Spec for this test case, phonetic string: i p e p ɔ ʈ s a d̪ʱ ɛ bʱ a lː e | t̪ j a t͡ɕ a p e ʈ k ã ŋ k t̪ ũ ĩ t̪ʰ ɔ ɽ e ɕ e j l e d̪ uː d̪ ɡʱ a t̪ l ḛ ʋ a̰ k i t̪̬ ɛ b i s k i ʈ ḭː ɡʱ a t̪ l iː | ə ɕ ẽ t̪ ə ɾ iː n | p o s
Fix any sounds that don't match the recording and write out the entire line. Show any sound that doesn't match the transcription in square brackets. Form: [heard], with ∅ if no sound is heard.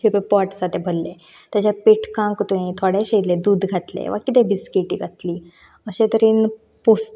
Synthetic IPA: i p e p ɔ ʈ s a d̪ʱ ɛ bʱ [ə] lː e | t̪ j a t͡ɕ a p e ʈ k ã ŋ k t̪ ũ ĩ t̪ʰ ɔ ɽ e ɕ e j l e d̪ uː d̪ ɡʱ a t̪ l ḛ ʋ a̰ k i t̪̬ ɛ b i s k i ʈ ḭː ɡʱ a t̪ l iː | ə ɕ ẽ t̪ ə ɾ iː n | p o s